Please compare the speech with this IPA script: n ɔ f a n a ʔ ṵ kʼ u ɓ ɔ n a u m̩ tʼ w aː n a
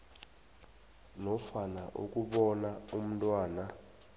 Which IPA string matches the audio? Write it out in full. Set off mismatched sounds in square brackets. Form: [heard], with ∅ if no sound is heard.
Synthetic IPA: n ɔ f a n a ʔ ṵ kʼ u ɓ ɔ n a u m̩ tʼ w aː n a